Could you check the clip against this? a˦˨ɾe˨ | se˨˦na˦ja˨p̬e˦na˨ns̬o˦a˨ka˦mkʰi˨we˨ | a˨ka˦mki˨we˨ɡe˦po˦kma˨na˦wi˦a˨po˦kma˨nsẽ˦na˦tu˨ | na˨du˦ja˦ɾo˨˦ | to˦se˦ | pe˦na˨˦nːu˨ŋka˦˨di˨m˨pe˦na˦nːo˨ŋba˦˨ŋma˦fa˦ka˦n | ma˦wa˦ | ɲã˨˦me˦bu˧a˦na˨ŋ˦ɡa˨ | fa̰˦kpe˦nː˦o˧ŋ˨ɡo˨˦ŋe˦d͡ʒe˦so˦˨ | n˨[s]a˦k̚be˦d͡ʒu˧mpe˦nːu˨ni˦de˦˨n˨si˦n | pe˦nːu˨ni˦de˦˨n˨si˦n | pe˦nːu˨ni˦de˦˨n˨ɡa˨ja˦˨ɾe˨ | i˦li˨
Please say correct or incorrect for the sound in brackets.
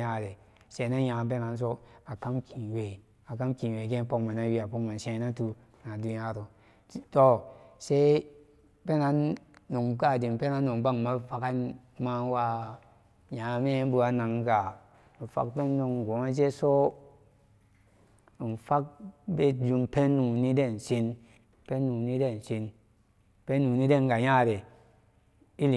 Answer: incorrect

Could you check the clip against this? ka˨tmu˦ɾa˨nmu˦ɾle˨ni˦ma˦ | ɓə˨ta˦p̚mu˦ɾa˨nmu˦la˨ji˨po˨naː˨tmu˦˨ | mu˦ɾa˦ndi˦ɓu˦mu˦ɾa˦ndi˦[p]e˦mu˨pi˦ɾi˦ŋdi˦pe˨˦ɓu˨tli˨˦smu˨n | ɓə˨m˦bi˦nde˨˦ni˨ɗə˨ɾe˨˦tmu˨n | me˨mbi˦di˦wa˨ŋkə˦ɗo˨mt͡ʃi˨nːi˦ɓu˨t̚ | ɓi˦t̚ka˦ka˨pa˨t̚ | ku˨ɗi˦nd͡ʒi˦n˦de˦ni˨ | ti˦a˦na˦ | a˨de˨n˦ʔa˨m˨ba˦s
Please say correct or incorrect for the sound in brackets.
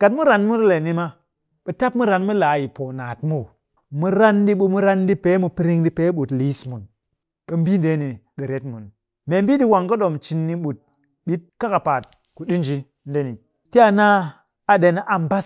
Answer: correct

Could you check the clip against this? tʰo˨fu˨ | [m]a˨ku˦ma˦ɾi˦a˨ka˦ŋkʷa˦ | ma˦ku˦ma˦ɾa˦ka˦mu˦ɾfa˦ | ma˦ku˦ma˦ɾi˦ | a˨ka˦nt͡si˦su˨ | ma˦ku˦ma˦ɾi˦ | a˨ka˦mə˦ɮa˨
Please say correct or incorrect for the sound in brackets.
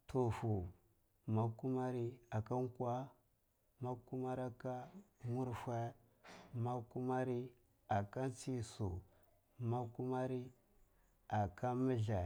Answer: correct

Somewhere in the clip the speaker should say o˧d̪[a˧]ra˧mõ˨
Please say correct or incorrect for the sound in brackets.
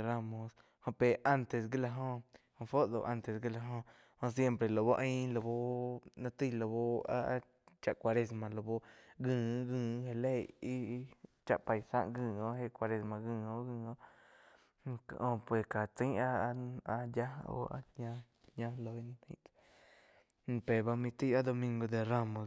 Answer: incorrect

